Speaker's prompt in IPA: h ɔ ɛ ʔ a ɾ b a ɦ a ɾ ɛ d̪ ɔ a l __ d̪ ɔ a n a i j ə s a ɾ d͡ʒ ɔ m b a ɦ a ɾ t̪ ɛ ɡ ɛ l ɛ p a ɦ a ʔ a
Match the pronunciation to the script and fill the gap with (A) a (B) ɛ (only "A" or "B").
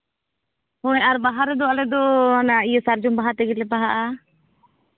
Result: B